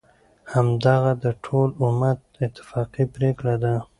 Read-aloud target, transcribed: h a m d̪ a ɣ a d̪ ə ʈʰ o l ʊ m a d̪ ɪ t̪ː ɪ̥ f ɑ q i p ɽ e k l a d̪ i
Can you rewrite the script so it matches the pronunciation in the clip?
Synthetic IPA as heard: h a m d̪ a ɣ a d̪ ə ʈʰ o l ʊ m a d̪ ɪ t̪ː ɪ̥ f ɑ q i p ɾ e k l a d̪ a